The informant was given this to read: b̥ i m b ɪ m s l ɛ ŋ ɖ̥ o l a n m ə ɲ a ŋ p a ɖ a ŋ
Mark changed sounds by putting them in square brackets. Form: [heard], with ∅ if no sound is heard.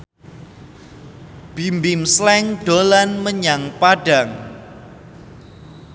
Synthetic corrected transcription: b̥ i m b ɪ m s l ɛ ŋ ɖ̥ o l a n m ə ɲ a ŋ p a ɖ a ŋ